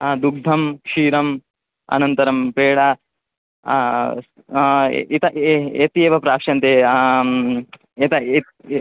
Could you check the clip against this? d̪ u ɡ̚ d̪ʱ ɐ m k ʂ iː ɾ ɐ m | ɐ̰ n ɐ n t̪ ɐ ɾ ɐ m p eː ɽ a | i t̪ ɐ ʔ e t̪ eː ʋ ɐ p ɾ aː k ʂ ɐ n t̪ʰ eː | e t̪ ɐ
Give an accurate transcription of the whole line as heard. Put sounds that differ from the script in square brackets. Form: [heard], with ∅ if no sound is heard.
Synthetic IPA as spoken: d̪ u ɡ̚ d̪ʱ ɐ m k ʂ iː ɾ ɐ m | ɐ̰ n ɐ n t̪ ɐ ɾ ɐ m p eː ɽ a | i t̪ ɐ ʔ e t̪ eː ʋ ɐ p ɾ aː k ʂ ɐ n [t̪] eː | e t̪ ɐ